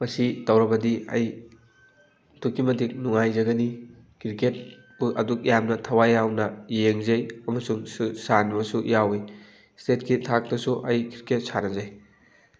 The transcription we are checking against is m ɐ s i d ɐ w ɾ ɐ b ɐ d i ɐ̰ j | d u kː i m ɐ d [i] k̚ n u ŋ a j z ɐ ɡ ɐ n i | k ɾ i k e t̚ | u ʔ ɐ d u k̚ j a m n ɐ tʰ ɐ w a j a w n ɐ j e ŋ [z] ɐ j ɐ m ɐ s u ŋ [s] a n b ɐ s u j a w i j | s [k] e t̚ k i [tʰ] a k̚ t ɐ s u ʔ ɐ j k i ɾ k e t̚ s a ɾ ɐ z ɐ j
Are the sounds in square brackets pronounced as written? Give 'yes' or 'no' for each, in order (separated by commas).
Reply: yes, yes, yes, no, yes